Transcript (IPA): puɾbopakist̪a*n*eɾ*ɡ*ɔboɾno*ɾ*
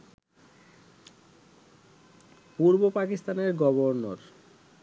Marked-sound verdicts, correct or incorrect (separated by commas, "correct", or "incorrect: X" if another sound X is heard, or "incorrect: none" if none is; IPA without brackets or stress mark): correct, correct, correct